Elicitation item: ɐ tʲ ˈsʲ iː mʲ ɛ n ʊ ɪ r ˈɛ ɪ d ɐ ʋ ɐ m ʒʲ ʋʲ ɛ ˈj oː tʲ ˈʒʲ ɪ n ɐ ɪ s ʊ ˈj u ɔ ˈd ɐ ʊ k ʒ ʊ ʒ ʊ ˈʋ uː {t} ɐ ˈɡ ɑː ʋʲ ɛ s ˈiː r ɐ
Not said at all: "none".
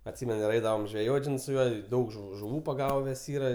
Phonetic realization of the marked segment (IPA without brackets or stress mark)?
p